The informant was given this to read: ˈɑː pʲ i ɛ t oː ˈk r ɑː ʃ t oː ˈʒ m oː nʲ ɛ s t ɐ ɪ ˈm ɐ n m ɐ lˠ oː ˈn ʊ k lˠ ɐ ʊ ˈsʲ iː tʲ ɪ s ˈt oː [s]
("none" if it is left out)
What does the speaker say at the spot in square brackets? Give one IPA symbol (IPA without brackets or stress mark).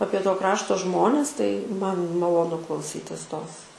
s